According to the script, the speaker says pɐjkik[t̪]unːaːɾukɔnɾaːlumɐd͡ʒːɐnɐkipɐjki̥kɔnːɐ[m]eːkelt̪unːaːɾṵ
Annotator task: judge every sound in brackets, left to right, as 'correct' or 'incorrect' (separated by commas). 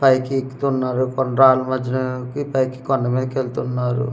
correct, correct